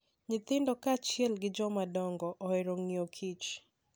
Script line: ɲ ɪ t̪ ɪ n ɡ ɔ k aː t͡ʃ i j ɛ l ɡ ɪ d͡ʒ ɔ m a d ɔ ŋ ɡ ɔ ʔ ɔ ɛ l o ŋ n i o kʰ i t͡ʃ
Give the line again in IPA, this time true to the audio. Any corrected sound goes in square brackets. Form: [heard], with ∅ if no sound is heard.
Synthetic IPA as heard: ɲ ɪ t̪ ɪ n [d] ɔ k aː t͡ʃ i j ɛ l ɡ ɪ d͡ʒ ɔ m a d ɔ ŋ ɡ ɔ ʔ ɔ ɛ [ɾ] o ŋ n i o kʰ i t͡ʃ